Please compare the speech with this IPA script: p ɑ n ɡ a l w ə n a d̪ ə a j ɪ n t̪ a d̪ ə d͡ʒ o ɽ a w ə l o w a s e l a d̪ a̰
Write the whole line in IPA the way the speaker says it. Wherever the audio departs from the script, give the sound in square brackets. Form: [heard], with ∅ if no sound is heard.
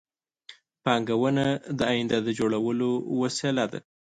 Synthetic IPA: p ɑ [ŋ] ɡ a [∅] w ə n a d̪ ə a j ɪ n [d̪] a d̪ ə d͡ʒ o ɽ a w ə l o w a s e l a d̪ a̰